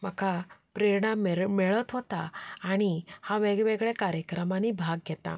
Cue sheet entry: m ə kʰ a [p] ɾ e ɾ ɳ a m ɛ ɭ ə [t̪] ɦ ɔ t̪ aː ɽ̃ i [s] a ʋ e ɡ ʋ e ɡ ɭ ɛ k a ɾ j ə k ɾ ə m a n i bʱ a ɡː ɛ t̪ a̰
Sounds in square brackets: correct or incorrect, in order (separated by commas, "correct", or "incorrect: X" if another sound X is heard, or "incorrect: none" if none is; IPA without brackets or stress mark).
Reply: correct, correct, incorrect: h